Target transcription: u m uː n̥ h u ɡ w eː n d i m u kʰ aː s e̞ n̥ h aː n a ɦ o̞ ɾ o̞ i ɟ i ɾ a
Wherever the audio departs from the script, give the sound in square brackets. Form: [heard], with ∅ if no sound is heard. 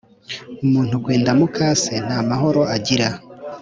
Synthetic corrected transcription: u m uː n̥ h u ɡ w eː n d [a] m u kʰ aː s e̞ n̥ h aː [m] a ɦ o̞ ɾ o̞ [a] ɟ i ɾ a